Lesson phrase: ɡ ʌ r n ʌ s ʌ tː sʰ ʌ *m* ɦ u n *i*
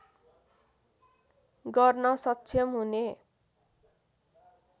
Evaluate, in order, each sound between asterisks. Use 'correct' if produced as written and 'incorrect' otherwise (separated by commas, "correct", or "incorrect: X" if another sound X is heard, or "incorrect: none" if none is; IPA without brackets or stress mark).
correct, incorrect: e